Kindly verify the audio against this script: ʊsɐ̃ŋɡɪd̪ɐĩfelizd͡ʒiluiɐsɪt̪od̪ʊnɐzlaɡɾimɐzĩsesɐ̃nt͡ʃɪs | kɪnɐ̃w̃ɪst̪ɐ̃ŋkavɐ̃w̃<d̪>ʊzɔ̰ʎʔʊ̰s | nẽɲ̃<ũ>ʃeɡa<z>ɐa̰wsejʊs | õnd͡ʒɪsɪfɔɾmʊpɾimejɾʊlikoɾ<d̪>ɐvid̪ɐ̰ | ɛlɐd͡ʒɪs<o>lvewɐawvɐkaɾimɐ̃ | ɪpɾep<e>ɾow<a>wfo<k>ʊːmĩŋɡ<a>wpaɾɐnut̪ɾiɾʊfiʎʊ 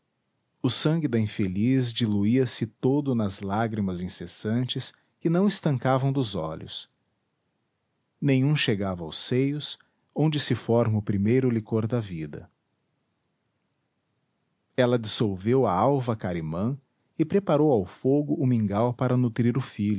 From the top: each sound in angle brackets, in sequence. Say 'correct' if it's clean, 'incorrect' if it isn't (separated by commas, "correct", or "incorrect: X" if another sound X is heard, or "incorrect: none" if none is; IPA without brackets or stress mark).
correct, correct, incorrect: v, correct, correct, incorrect: a, correct, incorrect: ɡ, correct